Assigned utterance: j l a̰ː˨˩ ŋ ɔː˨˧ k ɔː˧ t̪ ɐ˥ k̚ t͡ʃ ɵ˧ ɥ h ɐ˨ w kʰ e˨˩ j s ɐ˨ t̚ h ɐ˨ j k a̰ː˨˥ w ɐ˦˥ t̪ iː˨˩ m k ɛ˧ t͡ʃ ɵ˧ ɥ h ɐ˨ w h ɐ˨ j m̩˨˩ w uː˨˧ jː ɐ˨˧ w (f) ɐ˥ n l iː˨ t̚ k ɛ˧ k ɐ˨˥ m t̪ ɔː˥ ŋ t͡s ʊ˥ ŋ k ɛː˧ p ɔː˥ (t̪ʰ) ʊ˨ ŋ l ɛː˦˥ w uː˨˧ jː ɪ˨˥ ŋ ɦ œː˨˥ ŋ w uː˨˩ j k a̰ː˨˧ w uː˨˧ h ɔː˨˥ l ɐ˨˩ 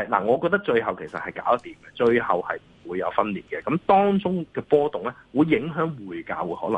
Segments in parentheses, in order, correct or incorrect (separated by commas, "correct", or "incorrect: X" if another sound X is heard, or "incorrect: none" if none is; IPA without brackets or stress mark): correct, incorrect: t̪